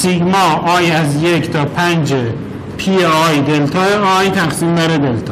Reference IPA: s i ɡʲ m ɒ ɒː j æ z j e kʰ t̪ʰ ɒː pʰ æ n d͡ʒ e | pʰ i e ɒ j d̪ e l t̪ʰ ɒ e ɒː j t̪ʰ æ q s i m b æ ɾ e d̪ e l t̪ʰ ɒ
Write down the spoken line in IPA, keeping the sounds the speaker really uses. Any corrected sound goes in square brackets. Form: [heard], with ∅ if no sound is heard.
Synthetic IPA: s i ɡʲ m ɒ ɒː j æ z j e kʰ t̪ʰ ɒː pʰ æ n d͡ʒ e | pʰ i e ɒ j d̪ e l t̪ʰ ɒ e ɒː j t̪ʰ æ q s i m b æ ɾ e d̪ e l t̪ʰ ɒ